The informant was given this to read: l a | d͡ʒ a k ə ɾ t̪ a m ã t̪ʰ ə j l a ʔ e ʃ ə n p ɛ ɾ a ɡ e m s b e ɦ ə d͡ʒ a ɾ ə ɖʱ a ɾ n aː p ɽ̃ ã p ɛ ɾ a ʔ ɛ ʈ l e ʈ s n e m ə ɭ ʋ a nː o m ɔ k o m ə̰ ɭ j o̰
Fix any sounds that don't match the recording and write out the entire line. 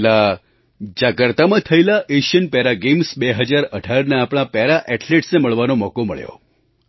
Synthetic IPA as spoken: l a | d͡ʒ a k ə ɾ t̪ a m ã t̪ʰ ə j l a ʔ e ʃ ə n p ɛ ɾ a ɡ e m s b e ɦ ə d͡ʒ a ɾ ə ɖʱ a ɾ n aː p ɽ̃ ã p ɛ ɾ a ʔ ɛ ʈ l e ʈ s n e m ə ɭ ʋ a n o m ɔ k o m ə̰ ɭ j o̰